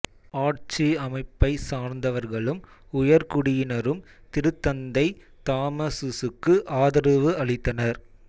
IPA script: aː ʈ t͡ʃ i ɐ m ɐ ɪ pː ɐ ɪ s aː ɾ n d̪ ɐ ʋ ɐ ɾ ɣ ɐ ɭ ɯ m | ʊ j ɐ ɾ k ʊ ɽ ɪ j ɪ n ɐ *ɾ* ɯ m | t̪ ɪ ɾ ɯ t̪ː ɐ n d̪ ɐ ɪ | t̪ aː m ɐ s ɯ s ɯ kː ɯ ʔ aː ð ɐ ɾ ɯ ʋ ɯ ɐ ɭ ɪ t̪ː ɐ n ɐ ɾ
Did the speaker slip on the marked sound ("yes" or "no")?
no